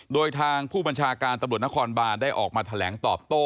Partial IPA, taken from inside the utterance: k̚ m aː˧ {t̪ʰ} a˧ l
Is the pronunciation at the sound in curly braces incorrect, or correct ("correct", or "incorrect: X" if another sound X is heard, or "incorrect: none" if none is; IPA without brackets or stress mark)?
correct